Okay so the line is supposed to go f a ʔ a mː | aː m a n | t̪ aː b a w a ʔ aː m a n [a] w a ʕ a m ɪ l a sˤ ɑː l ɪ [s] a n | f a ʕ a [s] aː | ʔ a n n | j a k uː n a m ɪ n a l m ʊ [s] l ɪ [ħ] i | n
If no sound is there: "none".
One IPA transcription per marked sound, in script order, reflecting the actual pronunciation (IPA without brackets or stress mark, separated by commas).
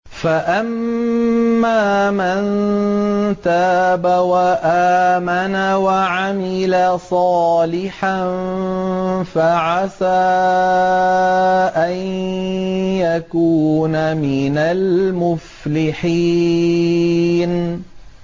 a, ħ, s, f, ħ